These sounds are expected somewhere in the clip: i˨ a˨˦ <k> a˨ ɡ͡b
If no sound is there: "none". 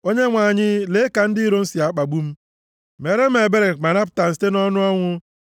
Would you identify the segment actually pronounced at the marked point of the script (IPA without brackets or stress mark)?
k͡p